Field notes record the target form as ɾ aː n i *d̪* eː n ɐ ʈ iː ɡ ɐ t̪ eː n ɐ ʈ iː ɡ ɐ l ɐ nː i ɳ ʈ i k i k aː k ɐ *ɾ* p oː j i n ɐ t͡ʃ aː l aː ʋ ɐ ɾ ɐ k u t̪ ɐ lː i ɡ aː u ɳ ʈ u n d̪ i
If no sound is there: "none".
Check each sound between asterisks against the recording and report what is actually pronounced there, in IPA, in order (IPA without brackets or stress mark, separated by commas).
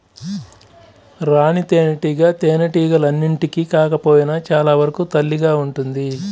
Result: t̪, none